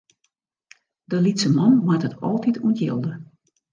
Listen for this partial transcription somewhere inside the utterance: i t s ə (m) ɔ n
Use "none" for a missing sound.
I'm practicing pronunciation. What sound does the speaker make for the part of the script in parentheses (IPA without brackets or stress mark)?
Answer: m